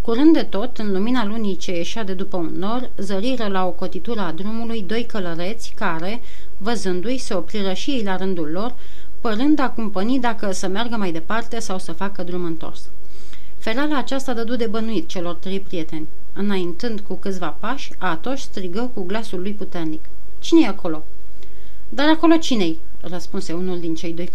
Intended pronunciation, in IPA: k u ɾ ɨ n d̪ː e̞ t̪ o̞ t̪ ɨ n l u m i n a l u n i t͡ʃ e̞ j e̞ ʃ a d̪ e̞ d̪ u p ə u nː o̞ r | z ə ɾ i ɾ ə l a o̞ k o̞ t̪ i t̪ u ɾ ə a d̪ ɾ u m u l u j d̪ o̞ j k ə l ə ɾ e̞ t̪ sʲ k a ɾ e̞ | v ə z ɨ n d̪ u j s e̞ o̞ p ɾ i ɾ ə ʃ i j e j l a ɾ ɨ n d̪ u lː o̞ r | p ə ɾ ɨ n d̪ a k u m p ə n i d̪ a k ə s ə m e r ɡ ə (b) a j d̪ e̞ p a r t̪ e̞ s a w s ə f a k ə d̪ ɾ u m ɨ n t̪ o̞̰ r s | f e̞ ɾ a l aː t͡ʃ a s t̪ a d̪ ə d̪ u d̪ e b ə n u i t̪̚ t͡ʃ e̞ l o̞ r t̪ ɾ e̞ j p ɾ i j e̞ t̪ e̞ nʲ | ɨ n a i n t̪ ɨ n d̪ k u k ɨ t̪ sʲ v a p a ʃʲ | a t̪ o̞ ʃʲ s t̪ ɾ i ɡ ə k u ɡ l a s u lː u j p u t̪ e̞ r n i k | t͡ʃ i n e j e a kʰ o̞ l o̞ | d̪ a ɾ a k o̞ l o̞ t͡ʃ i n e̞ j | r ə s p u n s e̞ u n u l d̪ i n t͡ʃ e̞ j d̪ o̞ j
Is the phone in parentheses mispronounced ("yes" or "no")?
yes